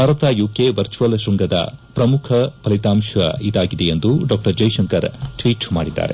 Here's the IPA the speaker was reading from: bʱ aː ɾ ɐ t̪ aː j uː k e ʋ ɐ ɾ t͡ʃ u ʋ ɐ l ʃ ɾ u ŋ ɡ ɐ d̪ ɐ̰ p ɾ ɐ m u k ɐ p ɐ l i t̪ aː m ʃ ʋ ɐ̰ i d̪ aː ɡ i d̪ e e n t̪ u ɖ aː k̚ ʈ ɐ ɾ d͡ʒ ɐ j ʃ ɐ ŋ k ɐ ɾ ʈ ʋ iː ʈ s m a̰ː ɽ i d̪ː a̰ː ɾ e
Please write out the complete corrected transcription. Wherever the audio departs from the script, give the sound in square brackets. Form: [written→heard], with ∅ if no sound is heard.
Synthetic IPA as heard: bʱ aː ɾ ɐ t̪ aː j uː k e ʋ ɐ ɾ t͡ʃ u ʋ ɐ l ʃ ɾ u ŋ ɡ ɐ d̪ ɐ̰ p ɾ ɐ m u [k→kʰ] ɐ p ɐ l i t̪ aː m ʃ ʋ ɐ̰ i d̪ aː ɡ i d̪ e e n [t̪→d̪] u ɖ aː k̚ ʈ ɐ ɾ d͡ʒ ɐ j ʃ ɐ ŋ k ɐ ɾ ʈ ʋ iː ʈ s m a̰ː ɽ i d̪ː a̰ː ɾ e